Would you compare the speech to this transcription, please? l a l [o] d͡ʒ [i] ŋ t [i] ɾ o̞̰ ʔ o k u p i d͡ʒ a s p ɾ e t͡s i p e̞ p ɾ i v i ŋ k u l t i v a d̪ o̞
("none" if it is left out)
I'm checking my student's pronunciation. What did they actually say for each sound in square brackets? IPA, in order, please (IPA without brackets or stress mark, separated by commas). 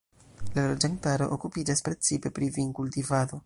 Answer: o, a, a